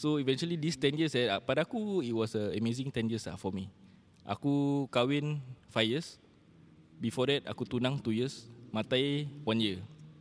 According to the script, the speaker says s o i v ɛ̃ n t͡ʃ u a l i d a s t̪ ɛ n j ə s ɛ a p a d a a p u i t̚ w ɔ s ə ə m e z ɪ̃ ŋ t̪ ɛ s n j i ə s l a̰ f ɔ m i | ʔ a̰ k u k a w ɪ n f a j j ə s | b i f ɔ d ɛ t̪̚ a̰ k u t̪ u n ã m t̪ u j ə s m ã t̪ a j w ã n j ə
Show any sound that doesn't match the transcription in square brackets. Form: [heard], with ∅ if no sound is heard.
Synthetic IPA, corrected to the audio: s o i v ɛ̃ n t͡ʃ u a l i d [i] s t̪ ɛ n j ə s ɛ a p a d a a [k] u i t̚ w ɔ s ə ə m e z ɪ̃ ŋ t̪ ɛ [∅] n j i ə s l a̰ f ɔ m i | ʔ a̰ k u k a w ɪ n f a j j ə s | b i f ɔ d ɛ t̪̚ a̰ k u t̪ u n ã [ŋ] t̪ u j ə s m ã t̪ a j w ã n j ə